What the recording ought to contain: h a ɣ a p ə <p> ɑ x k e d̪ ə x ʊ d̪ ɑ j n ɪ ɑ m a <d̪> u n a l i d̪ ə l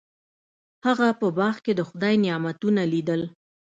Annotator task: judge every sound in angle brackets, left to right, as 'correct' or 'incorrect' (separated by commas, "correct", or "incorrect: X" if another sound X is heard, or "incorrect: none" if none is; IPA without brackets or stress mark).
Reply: incorrect: b, incorrect: t̪